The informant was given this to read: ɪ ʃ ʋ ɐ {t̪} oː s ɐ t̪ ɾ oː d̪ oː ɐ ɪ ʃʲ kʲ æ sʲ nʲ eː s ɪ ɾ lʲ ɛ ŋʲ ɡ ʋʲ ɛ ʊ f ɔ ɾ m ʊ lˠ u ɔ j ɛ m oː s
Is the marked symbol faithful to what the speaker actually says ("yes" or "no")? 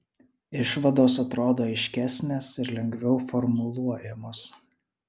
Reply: no